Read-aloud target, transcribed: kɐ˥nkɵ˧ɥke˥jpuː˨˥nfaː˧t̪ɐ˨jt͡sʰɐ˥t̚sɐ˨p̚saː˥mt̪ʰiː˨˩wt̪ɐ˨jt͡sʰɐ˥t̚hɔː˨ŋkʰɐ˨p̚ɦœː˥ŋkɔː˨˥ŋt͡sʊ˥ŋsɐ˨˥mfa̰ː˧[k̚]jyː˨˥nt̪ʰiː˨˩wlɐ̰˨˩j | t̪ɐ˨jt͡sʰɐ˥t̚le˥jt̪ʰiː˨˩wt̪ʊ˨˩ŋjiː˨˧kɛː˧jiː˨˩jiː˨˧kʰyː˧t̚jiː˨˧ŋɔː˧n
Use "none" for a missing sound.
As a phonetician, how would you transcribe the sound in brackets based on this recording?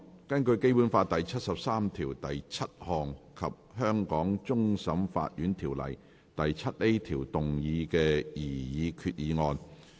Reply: t̚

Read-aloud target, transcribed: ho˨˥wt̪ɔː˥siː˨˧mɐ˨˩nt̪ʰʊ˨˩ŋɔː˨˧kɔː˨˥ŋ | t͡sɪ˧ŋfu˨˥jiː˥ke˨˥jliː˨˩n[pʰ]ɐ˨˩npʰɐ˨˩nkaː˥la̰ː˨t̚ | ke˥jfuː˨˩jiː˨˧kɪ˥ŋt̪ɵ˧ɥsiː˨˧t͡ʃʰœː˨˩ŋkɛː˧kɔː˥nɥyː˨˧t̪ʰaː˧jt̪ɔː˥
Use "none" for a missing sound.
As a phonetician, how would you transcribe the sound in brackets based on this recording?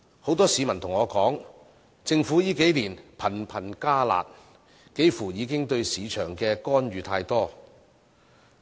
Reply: pʰ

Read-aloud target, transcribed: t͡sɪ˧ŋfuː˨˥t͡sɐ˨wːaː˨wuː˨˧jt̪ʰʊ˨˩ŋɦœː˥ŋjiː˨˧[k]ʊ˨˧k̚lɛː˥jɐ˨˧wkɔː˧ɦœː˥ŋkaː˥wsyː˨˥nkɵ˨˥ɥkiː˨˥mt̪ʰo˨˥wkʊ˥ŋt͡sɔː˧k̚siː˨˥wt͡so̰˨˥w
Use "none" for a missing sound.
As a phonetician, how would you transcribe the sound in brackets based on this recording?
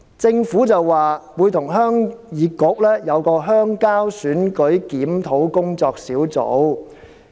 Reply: k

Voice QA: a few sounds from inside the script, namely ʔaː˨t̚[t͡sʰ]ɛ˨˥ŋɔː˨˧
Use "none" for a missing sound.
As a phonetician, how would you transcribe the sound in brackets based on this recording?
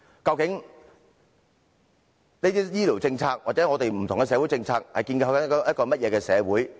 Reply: t͡s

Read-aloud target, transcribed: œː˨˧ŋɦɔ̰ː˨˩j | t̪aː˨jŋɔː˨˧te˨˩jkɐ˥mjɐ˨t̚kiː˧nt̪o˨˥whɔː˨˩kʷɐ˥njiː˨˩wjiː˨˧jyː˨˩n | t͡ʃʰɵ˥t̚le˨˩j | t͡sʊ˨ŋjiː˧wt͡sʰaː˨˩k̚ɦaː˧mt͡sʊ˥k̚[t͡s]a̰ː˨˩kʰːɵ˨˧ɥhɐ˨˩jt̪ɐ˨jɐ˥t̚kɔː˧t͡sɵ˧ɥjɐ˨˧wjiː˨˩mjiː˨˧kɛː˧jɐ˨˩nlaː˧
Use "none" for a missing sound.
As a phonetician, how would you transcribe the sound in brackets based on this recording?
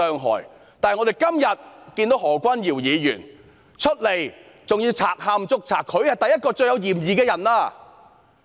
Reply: t͡sʰ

